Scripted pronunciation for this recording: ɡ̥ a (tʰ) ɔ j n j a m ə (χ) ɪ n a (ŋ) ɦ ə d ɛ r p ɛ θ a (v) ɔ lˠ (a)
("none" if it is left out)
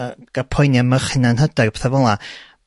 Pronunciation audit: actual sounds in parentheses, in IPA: pʰ, χ, n, v, a

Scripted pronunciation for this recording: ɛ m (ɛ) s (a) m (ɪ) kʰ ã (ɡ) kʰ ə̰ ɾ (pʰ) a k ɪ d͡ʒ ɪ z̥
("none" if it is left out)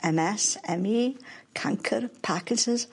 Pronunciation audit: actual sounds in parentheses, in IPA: ɛ, ɛ, i, ŋ, pʰ

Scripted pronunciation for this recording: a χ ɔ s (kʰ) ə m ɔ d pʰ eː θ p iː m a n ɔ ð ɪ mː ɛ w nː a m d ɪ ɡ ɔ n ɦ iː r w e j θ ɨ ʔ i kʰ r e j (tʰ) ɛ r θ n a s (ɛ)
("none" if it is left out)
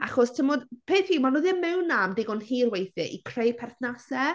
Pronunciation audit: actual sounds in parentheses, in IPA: tʰ, pʰ, ɛ

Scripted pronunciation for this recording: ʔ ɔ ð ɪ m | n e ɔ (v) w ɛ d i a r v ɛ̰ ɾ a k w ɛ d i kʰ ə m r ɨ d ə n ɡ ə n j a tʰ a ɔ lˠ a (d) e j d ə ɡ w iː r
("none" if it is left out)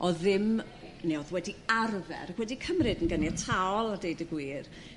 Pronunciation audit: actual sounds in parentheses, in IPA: ð, d

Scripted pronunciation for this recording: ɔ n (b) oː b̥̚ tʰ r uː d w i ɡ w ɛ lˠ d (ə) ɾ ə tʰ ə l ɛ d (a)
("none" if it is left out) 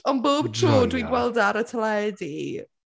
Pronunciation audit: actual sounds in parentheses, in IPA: b, a, i

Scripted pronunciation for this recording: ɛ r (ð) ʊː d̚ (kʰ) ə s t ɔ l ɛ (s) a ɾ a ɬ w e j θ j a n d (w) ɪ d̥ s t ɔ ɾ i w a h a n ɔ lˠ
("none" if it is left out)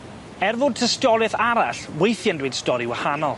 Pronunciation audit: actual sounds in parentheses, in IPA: v, tʰ, θ, w

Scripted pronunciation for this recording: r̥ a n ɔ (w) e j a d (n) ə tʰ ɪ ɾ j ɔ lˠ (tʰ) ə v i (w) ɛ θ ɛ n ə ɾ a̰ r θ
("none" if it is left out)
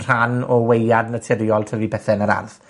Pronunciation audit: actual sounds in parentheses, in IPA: w, n, tʰ, b

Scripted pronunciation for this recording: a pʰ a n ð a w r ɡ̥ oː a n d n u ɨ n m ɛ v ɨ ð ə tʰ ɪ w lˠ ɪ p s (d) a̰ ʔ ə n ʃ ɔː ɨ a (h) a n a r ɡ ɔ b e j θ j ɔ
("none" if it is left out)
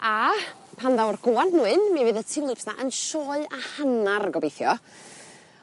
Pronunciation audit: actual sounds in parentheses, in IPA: n, h

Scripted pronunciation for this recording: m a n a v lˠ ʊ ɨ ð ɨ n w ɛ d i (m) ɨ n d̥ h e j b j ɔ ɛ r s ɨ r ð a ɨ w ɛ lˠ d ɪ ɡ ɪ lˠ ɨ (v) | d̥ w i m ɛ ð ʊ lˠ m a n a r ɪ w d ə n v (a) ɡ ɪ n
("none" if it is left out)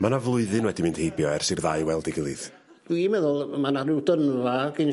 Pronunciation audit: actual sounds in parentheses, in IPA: m, ð, a

